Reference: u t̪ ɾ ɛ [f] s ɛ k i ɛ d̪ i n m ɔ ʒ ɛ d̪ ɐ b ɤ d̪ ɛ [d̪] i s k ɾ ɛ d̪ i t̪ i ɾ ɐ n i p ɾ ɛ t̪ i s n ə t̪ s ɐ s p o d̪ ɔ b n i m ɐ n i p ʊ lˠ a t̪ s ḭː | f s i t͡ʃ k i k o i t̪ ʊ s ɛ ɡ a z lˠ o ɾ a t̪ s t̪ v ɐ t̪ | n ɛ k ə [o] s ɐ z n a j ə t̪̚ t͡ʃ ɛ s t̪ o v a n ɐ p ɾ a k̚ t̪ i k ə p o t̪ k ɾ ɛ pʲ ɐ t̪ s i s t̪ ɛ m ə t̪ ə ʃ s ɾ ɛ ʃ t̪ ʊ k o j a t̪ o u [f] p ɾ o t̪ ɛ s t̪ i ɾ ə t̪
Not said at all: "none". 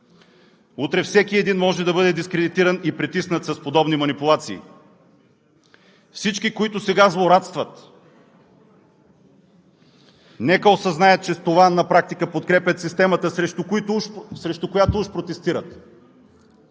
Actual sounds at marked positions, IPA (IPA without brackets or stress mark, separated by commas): f, d̪, o, ʃ